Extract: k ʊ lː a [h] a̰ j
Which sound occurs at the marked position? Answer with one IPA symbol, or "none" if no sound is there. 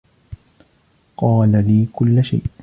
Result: ʃ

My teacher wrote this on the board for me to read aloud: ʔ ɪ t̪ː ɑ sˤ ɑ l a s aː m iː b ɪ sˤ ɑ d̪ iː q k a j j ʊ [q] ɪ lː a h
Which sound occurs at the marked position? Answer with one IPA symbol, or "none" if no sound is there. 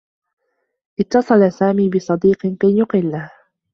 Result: q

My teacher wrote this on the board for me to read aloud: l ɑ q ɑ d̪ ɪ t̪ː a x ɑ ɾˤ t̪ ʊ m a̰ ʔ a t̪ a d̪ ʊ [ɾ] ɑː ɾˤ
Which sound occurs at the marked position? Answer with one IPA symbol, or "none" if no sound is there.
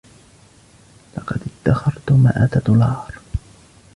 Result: l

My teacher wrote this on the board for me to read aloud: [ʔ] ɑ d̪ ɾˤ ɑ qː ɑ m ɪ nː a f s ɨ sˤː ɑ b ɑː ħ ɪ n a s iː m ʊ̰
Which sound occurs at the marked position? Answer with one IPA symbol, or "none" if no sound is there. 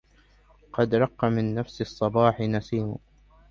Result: q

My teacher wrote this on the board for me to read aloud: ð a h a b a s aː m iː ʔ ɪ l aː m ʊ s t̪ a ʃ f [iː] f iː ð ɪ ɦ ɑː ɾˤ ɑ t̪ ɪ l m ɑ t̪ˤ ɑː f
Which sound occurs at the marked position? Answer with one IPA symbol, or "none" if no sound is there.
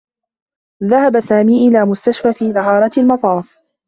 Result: aː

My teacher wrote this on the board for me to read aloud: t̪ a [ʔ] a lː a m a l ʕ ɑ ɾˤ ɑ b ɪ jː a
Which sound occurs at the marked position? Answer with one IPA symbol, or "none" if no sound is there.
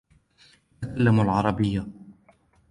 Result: k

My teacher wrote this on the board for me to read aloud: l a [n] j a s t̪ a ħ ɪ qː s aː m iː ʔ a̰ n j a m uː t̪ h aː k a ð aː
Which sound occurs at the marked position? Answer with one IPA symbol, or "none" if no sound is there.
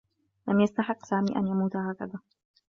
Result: m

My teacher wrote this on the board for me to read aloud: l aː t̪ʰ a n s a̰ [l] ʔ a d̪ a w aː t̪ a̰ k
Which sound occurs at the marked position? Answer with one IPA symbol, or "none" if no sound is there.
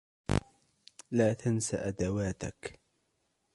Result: none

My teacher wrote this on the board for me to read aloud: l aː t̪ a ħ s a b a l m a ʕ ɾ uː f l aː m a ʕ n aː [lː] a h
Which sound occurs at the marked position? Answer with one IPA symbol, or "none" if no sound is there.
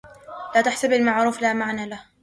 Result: l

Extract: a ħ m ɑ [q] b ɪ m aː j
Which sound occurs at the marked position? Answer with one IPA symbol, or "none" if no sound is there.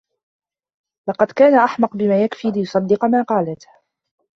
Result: q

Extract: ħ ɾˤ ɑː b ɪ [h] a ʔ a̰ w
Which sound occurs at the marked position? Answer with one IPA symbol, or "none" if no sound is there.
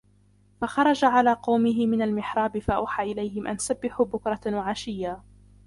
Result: f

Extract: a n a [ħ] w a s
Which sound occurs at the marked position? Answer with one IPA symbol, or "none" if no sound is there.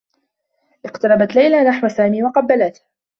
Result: ħ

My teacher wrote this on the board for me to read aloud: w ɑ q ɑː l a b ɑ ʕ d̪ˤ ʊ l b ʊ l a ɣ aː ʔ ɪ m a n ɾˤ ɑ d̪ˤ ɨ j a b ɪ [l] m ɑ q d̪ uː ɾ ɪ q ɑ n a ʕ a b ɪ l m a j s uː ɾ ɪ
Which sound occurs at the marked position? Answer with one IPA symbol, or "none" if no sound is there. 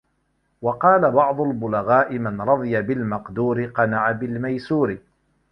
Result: l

